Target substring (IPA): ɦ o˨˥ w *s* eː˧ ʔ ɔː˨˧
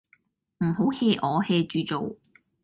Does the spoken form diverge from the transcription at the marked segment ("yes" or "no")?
yes